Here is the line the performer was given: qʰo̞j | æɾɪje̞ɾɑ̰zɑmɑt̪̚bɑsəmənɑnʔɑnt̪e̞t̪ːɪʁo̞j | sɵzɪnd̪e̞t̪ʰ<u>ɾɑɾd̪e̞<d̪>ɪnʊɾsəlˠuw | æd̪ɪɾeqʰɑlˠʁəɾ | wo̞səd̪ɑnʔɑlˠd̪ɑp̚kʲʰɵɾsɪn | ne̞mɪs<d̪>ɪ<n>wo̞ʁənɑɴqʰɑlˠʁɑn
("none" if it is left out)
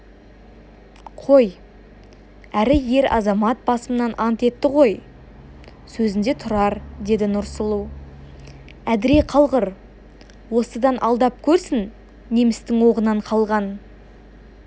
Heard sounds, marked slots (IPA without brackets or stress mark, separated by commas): ʊ, d̪, t̪, ŋ